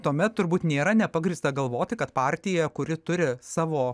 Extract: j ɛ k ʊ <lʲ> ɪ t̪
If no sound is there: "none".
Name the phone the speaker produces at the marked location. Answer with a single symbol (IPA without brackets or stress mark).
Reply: ɾʲ